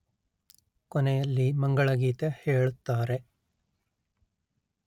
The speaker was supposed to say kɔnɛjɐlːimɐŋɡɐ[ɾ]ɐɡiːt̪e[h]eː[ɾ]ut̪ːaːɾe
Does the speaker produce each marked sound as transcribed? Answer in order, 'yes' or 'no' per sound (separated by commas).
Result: no, yes, no